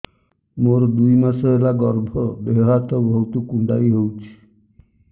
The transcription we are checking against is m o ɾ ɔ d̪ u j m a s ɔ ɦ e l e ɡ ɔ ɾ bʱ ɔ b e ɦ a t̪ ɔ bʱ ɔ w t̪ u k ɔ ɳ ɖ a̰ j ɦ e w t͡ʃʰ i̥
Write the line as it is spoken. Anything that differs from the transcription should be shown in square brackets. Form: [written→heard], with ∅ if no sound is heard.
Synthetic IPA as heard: m o ɾ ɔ d̪ u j m a s ɔ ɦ e l [e→a] ɡ ɔ ɾ bʱ ɔ b e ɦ a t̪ ɔ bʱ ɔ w t̪ u k [ɔ→u] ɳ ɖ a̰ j ɦ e w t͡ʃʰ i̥